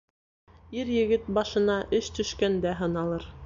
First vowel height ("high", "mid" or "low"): high